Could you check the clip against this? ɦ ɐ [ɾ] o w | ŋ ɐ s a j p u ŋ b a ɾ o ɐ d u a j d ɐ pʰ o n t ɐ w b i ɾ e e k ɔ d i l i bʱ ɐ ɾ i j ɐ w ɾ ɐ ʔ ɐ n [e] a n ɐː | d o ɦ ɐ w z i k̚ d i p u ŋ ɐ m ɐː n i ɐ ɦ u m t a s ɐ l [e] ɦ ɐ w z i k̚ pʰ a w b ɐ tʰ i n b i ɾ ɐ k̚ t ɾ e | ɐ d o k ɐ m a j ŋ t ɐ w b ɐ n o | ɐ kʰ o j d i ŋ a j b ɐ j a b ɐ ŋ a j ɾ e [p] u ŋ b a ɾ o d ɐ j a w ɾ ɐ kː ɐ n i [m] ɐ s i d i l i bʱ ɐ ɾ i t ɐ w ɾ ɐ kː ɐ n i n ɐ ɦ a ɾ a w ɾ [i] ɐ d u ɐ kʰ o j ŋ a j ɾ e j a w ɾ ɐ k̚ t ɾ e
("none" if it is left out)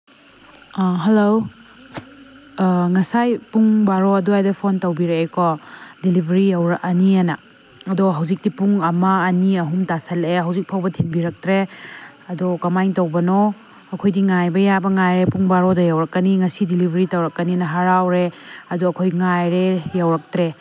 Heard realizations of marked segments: l, i, e, p, ŋ, e

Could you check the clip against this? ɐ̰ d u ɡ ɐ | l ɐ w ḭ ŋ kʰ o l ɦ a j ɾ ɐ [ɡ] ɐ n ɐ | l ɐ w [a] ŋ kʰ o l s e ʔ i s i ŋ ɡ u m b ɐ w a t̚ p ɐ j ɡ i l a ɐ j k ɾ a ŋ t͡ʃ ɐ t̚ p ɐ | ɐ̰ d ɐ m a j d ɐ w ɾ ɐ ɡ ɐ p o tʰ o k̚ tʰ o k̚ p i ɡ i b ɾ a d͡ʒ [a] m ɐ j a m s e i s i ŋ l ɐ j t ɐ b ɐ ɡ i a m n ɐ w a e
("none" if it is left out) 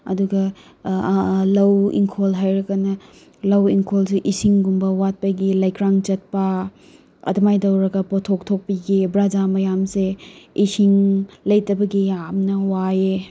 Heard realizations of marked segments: k, i, a

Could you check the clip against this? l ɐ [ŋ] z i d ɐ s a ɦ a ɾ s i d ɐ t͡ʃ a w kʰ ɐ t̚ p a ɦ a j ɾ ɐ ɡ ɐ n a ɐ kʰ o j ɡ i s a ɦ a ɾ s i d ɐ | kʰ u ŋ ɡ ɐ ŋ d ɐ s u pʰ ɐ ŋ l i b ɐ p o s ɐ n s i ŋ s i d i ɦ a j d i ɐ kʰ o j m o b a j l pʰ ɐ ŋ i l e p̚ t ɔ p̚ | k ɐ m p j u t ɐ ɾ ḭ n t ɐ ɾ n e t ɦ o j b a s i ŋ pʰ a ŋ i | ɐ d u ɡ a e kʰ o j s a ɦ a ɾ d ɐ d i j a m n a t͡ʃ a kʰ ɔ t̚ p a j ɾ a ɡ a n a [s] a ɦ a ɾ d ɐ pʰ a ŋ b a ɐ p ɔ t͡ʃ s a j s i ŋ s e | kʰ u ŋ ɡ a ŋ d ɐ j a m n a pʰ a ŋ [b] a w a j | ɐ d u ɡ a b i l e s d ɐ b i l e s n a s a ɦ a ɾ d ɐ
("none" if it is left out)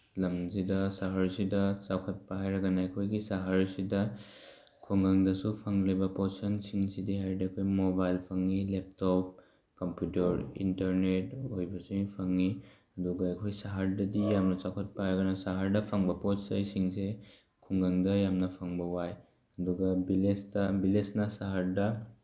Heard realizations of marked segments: m, s, b

